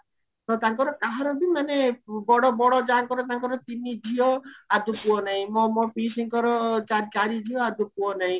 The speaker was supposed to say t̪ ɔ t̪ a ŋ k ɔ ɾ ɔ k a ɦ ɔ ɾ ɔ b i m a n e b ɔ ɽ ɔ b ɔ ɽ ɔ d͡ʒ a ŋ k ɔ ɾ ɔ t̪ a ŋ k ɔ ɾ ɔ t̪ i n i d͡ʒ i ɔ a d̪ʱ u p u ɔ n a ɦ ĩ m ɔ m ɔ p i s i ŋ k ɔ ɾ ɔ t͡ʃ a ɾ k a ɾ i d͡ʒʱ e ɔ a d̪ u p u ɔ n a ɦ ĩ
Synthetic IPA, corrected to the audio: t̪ ɔ t̪ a ŋ k ɔ ɾ ɔ k a ɦ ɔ ɾ ɔ b i m a n e b ɔ ɽ ɔ b ɔ ɽ ɔ d͡ʒ a ŋ k ɔ ɾ ɔ t̪ a ŋ k ɔ ɾ ɔ t̪ i n i d͡ʒ i ɔ a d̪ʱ u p u ɔ n a ɦ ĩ m ɔ m ɔ p i s i ŋ k ɔ ɾ ɔ t͡ʃ a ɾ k a ɾ i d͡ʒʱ i ɔ a d̪ u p u ɔ n a ɦ ĩ